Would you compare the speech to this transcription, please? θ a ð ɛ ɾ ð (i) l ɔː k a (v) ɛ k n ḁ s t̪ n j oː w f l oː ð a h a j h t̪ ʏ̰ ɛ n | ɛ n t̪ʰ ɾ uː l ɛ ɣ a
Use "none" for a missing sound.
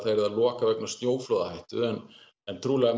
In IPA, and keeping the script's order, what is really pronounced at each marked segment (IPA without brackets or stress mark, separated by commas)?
a, v